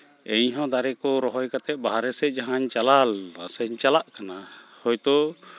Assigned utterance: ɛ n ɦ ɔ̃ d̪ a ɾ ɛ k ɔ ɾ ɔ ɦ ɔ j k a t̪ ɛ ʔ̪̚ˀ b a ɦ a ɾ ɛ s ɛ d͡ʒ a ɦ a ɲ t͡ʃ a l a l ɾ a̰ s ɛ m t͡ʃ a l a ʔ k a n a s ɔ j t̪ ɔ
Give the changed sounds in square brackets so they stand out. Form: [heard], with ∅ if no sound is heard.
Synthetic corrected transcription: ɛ [ɲ] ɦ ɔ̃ d̪ a ɾ ɛ k ɔ ɾ ɔ ɦ ɔ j k a t̪ ɛ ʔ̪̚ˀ b a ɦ a ɾ ɛ s ɛ d͡ʒ a ɦ a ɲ t͡ʃ a l a l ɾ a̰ s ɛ [ɲ] t͡ʃ a l a ʔ k a n a [h] ɔ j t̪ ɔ